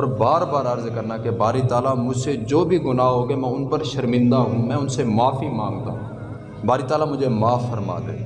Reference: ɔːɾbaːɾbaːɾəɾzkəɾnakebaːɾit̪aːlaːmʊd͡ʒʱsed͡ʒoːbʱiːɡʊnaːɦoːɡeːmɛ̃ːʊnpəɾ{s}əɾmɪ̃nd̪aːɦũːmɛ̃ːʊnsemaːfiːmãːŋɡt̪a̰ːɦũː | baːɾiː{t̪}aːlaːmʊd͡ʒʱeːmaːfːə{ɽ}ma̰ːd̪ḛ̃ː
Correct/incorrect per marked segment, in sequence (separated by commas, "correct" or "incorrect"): incorrect, correct, incorrect